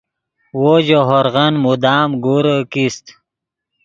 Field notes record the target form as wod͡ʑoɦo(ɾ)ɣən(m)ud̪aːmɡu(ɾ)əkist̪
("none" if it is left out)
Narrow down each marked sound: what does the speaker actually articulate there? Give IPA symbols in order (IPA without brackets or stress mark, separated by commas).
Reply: ɾ, m, ɾ